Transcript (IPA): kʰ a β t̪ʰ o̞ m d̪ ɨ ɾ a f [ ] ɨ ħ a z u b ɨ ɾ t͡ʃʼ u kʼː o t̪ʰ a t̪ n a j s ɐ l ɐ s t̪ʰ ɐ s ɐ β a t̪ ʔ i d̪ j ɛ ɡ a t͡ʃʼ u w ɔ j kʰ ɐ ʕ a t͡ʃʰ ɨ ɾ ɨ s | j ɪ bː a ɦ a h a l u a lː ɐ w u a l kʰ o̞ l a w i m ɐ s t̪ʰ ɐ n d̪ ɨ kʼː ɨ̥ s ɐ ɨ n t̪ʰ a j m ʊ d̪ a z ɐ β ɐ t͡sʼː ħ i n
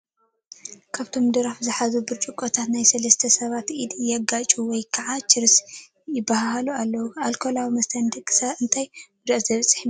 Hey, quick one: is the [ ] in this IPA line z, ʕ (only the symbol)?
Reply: z